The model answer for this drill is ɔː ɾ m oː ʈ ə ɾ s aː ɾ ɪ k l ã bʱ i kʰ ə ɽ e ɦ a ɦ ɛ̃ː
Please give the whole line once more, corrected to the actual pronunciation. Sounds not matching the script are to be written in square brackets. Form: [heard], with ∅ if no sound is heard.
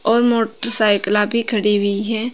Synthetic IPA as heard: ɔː ɾ m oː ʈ ə ɾ s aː [∅] ɪ k l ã bʱ i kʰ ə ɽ [i] ɦ [i] ɦ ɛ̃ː